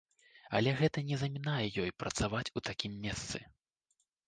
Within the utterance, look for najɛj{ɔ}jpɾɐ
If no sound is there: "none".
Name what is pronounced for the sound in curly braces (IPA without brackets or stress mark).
ɔ